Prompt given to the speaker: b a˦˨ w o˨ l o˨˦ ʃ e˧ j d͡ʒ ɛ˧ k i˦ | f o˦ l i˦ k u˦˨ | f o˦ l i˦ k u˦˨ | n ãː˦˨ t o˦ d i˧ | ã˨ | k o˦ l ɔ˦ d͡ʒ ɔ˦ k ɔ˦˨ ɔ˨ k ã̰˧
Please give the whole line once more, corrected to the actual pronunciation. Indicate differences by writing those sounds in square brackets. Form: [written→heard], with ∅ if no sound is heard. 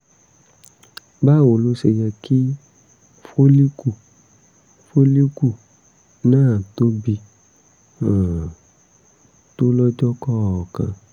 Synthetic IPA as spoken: b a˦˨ w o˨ l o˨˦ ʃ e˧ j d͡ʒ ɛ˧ k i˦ | f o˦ l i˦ k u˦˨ | f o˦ l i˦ k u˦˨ | n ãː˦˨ t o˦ [d→b] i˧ | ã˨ | [k→t] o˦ l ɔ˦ d͡ʒ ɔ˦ k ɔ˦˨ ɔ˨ k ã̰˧